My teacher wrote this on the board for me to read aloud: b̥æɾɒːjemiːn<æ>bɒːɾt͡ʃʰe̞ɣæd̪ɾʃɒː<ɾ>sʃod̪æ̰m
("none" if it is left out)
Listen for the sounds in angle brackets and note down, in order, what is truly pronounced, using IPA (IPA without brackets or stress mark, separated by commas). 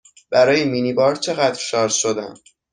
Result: i, ɾ